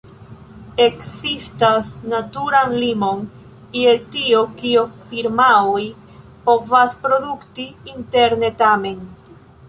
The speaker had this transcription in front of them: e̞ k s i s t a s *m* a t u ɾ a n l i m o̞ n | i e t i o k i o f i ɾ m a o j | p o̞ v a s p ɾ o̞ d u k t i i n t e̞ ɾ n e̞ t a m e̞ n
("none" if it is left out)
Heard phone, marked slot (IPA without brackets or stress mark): n